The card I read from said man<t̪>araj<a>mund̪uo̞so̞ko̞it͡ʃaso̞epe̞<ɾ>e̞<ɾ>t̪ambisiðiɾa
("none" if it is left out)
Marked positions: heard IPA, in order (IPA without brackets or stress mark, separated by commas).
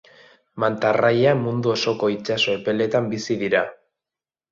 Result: t̪, a, l, none